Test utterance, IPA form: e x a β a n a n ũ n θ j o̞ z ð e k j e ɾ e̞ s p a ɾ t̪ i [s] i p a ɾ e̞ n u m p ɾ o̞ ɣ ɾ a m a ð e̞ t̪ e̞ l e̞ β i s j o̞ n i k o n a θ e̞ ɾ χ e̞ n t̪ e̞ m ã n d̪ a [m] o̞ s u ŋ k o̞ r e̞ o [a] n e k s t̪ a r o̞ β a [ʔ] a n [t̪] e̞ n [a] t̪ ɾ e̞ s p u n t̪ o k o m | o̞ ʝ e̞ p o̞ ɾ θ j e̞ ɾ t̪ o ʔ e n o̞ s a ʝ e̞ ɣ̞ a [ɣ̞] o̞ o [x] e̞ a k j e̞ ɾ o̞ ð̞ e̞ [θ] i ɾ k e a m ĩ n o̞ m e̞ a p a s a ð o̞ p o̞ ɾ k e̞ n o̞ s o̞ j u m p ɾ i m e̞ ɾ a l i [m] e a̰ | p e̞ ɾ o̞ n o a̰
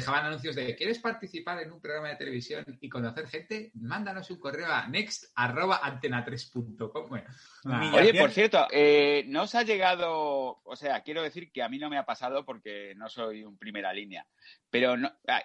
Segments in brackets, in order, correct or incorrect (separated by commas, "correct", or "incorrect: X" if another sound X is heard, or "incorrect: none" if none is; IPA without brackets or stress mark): incorrect: θ, incorrect: n, correct, correct, correct, correct, incorrect: ð̞, incorrect: s, correct, incorrect: n